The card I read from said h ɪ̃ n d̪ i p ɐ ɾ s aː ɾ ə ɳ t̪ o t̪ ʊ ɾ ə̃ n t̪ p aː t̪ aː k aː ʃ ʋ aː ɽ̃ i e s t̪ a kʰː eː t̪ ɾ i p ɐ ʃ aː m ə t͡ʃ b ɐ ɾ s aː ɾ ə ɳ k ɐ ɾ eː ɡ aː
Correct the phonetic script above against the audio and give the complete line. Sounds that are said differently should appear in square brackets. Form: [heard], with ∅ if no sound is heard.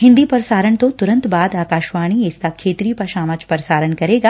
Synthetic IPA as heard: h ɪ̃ n d̪ i p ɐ ɾ s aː ɾ ə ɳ t̪ o t̪ ʊ ɾ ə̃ n t̪ [b] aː [d̪] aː k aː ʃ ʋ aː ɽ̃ i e s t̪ a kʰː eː t̪ ɾ i p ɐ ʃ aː m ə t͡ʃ [p] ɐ ɾ s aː ɾ ə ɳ k ɐ ɾ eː ɡ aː